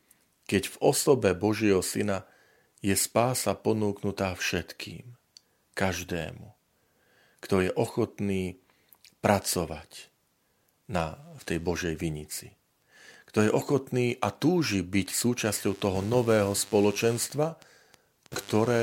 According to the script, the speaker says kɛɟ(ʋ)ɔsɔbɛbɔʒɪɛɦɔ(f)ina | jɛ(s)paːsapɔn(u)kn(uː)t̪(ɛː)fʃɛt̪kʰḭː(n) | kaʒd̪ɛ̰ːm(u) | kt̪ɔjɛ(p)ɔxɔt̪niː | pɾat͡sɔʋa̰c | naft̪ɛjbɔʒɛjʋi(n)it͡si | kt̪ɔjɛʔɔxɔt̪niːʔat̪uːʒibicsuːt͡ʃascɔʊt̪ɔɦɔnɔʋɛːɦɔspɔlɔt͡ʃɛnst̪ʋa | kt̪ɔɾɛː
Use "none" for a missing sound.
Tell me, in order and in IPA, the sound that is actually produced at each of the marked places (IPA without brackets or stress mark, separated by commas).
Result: v, s, s, uː, u, aː, m, u, ʔ, ɲ